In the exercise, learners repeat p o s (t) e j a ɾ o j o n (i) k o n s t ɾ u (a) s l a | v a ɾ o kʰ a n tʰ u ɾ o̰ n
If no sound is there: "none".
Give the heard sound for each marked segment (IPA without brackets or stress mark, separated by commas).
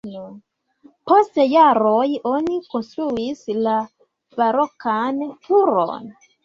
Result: t, i, i